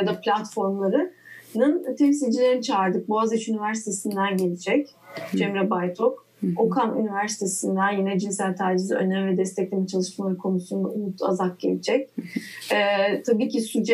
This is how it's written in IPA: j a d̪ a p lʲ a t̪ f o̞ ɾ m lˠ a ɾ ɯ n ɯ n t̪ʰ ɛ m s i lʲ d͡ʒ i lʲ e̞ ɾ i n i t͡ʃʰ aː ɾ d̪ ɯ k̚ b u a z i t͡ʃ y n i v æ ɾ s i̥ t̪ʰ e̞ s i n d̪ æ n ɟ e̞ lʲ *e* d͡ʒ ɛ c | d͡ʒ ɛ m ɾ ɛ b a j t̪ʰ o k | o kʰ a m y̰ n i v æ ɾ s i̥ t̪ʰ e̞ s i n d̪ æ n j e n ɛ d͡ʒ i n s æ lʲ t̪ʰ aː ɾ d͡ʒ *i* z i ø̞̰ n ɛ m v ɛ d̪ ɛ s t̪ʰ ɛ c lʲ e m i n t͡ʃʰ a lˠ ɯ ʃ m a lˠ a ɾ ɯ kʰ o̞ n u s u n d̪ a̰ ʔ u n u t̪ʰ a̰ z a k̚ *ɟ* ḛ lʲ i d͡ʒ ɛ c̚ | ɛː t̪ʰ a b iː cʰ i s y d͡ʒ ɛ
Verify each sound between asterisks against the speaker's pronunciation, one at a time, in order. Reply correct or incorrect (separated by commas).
incorrect, correct, correct